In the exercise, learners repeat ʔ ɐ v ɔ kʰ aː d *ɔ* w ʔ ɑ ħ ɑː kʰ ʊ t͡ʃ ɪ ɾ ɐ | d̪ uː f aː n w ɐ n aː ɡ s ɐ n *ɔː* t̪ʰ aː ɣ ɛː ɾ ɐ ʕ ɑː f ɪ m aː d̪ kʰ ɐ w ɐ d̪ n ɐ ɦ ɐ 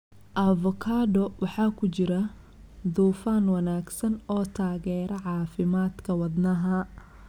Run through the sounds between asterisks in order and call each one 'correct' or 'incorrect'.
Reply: correct, correct

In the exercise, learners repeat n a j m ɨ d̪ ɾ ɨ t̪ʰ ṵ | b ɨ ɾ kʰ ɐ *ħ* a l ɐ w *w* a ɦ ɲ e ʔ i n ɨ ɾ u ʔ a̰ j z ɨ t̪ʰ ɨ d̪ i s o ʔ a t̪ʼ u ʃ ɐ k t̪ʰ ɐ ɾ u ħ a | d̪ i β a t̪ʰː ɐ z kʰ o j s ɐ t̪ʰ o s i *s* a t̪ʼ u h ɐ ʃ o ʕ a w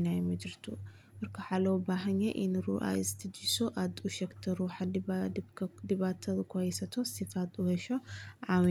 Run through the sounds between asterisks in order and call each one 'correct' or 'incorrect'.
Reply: correct, incorrect, incorrect

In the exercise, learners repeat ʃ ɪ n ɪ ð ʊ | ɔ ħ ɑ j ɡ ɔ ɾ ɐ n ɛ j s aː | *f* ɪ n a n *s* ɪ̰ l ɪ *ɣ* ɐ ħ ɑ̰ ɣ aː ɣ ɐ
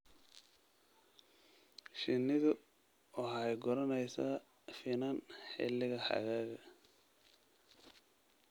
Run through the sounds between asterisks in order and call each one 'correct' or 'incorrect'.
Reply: correct, incorrect, correct

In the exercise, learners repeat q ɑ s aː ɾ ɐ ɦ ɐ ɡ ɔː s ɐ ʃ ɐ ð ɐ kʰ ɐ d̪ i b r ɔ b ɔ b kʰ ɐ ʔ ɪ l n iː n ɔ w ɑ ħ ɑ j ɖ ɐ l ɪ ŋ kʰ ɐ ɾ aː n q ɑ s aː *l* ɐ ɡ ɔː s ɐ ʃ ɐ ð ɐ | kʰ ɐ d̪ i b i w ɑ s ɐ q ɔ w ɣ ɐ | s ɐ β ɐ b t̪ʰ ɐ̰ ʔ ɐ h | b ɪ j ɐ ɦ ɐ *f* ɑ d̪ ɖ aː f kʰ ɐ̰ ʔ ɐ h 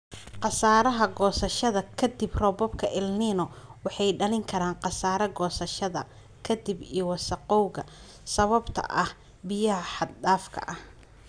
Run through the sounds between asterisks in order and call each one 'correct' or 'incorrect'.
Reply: incorrect, incorrect

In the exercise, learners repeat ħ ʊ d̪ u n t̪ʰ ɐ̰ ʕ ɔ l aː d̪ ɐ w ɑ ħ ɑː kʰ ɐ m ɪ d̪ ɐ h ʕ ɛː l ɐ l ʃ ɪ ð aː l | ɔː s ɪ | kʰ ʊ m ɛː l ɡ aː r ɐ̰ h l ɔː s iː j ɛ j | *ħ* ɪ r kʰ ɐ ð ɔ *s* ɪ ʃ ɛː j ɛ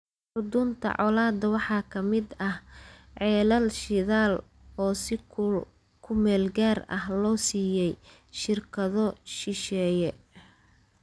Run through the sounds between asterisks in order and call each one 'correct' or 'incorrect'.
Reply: incorrect, incorrect

